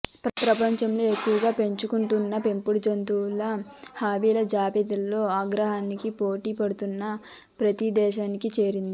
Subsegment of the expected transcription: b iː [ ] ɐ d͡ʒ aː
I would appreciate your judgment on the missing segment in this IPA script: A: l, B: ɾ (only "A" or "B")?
A